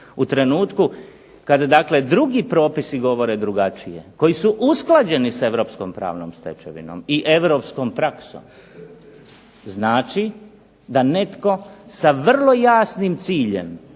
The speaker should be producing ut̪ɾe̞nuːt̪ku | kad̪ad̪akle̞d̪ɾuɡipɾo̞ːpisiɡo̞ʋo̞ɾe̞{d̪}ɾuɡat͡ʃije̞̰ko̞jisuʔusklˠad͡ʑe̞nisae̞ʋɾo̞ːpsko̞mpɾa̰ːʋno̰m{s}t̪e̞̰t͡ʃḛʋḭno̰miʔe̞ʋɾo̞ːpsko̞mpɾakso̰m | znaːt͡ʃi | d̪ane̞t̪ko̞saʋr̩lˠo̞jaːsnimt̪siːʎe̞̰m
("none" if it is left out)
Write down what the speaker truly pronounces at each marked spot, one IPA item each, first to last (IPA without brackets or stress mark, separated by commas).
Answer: d̪, s